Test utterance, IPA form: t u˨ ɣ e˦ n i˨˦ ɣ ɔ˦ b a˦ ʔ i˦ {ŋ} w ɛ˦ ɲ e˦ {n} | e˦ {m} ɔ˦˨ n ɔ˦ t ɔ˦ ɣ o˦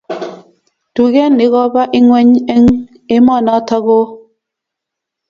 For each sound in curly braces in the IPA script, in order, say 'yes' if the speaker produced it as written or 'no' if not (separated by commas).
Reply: yes, no, yes